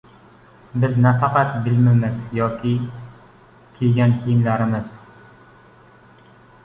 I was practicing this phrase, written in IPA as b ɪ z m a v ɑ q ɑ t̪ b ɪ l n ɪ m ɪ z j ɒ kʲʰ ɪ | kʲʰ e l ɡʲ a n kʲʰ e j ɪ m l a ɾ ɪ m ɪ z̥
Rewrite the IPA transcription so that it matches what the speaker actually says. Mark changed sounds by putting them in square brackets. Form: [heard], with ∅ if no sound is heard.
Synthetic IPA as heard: b ɪ z [n] a [f] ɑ q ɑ t̪ b ɪ l [m] ɪ m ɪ z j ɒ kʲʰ ɪ | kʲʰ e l ɡʲ a n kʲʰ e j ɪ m l a ɾ ɪ m ɪ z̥

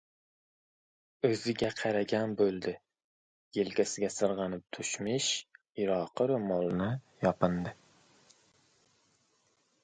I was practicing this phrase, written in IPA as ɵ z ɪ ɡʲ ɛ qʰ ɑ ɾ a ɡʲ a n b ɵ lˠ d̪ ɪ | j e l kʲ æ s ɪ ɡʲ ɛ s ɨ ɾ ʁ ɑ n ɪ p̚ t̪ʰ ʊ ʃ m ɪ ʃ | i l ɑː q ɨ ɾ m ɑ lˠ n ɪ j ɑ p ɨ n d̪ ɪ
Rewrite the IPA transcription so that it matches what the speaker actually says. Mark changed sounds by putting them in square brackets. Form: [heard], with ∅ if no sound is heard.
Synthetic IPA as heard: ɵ z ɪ ɡʲ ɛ qʰ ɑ ɾ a ɡʲ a n b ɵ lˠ d̪ ɪ | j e l kʲ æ s ɪ ɡʲ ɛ s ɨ ɾ ʁ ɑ n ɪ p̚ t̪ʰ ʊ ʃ m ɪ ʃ | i [ɾ] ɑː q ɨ ɾ m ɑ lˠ n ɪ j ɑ p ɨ n d̪ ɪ

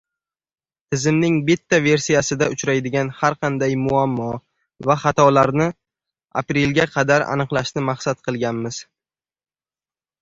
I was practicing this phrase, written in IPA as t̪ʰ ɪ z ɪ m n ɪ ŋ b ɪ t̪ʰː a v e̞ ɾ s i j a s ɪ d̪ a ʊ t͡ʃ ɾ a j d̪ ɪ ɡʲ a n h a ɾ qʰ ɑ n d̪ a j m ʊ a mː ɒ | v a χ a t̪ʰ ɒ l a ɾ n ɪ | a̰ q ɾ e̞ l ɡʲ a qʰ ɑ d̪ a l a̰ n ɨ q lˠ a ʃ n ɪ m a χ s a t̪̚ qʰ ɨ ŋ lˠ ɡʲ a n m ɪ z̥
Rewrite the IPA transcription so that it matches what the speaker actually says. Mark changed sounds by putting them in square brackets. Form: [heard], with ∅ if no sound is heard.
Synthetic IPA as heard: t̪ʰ ɪ z ɪ m n ɪ ŋ b ɪ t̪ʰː a v e̞ ɾ s i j a s ɪ d̪ a ʊ t͡ʃ ɾ a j d̪ ɪ ɡʲ a n h a ɾ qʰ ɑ n d̪ a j m ʊ a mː ɒ | v a χ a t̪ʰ ɒ l a ɾ n ɪ | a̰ [p] ɾ e̞ l ɡʲ a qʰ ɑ d̪ a [ɾ] a̰ n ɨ q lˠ a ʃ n ɪ m a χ s a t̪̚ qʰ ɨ [∅] lˠ ɡʲ a n m ɪ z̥

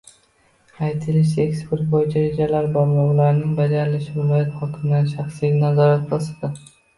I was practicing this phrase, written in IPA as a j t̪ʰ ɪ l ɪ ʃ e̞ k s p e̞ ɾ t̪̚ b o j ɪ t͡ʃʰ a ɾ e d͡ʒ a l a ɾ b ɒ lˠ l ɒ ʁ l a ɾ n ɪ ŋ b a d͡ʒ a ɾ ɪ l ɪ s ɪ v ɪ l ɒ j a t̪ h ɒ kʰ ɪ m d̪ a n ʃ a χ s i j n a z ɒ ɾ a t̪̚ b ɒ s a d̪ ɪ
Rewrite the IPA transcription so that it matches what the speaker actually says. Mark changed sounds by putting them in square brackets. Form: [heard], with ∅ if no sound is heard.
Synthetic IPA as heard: a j t̪ʰ ɪ l ɪ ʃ e̞ k s p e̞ ɾ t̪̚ b o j ɪ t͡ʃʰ a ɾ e d͡ʒ a l a ɾ b ɒ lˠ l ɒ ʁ l a ɾ n ɪ ŋ b a d͡ʒ a ɾ ɪ l ɪ [ʃ] ɪ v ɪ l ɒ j a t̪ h ɒ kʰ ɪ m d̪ a n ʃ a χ s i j n a z ɒ ɾ a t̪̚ b ɒ s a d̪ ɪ

